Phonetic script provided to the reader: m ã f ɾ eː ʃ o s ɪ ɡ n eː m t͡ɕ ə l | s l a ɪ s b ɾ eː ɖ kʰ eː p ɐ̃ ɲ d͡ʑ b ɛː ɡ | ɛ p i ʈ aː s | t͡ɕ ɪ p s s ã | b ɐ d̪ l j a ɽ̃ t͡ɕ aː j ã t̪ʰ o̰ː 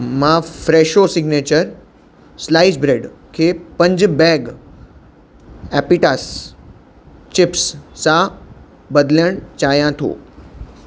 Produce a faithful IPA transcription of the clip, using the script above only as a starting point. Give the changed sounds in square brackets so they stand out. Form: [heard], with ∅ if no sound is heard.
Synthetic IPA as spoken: m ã f ɾ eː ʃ o s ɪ ɡ n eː [∅] t͡ɕ ə [ɾ] | s l a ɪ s b ɾ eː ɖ kʰ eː p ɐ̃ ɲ d͡ʑ b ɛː ɡ | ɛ p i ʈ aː s | t͡ɕ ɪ p s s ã | b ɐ d̪ l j [ə] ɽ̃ t͡ɕ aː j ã t̪ʰ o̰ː